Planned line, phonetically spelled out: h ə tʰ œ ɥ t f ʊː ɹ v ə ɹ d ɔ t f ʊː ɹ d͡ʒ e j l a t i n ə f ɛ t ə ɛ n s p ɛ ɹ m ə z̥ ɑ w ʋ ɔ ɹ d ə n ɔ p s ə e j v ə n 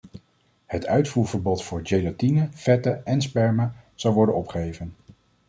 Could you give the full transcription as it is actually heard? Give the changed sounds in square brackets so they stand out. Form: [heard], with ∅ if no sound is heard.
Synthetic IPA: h ə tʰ œ ɥ t f [uː] ɹ v ə ɹ [b] ɔ t f ʊː ɹ d͡ʒ e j l a t i n ə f ɛ t ə ɛ n s p ɛ ɹ m ə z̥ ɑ w ʋ ɔ ɹ d ə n ɔ p [χ] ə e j v ə n